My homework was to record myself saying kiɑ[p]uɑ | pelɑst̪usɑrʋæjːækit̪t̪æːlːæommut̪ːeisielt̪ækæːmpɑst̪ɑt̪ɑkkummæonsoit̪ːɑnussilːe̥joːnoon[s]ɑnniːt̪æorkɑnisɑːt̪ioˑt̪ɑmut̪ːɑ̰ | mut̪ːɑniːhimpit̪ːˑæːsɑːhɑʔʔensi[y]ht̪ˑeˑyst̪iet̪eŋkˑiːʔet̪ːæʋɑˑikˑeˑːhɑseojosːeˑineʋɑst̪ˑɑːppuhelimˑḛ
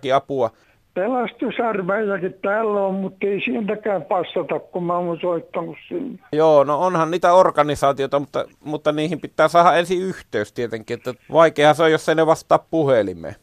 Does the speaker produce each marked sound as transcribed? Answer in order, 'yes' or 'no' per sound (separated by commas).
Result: yes, no, yes